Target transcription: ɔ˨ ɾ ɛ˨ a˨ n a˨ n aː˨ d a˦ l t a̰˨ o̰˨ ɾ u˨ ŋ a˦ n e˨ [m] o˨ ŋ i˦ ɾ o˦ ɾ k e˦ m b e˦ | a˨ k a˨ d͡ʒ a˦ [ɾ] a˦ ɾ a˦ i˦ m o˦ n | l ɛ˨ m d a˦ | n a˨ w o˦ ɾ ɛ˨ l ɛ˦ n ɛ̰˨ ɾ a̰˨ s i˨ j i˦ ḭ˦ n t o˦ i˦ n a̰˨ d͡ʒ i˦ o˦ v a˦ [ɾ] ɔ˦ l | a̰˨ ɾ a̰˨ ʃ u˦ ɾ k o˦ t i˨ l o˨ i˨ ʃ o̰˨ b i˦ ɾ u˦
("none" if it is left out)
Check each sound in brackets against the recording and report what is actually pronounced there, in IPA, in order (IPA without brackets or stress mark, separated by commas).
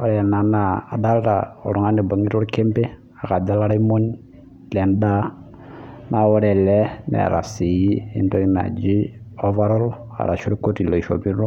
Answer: b, l, ɾ